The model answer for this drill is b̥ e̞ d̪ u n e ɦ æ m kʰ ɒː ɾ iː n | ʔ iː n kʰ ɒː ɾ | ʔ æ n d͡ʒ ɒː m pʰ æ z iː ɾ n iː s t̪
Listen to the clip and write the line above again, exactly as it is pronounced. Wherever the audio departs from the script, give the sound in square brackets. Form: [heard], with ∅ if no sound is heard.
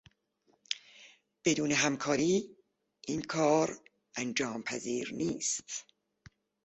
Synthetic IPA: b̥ e̞ d̪ [uː] n e ɦ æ m kʰ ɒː ɾ iː [∅] | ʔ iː n kʰ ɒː ɾ | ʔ æ n d͡ʒ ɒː m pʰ æ z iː ɾ n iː s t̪